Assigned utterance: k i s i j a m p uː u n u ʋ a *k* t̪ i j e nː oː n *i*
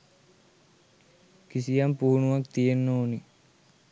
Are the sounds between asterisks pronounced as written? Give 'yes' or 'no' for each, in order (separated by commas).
yes, yes